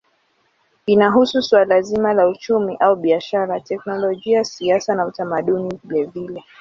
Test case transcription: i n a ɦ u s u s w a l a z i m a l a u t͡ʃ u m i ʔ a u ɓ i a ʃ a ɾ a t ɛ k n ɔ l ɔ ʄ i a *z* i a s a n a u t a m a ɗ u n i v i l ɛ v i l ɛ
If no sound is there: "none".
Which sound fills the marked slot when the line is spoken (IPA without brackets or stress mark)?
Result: s